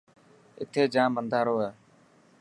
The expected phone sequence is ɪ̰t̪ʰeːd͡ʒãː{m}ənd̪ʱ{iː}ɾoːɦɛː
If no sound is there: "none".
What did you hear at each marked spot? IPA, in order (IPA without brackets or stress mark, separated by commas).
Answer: m, aː